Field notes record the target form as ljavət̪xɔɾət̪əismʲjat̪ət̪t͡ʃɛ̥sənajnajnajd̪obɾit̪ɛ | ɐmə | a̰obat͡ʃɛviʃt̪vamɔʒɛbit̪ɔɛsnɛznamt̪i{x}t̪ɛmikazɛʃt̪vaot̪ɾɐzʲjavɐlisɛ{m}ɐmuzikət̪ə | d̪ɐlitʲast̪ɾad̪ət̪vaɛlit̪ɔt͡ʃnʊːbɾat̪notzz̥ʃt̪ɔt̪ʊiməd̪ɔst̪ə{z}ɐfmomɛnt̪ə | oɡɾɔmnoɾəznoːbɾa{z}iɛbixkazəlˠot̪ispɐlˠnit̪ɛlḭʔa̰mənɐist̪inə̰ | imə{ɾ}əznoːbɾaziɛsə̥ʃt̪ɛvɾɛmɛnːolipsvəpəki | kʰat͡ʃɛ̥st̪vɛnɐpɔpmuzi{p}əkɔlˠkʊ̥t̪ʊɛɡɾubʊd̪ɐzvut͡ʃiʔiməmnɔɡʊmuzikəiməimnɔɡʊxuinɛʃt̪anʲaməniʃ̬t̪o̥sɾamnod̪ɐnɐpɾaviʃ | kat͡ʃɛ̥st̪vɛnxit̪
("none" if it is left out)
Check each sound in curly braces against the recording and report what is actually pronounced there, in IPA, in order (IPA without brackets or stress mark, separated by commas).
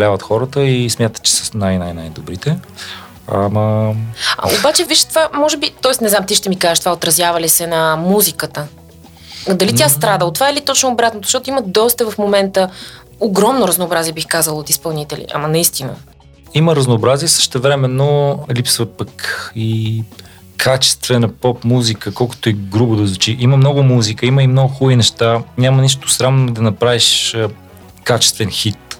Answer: ʃ, n, v, z, ɾ, k